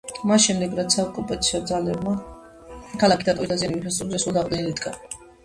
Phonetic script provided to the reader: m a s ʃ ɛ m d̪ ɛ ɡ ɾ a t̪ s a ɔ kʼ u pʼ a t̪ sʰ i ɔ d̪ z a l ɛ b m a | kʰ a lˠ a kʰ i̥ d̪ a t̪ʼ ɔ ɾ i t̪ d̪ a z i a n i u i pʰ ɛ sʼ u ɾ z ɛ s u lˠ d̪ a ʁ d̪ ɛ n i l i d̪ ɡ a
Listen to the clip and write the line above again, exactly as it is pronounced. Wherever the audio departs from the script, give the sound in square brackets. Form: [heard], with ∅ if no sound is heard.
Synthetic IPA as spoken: m a s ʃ ɛ m d̪ ɛ ɡ ɾ a t̪ s a ɔ kʼ u pʼ a t̪ sʰ i ɔ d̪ z a l ɛ b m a | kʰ a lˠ a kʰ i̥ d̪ a t̪ʼ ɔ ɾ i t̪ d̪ a z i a n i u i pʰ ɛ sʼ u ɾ z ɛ s u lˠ d̪ a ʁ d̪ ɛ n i l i d̪ ɡ a